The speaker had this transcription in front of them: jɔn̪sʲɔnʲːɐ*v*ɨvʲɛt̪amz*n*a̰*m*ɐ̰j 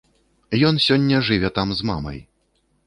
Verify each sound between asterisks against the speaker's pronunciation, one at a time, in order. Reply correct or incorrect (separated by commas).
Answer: incorrect, incorrect, correct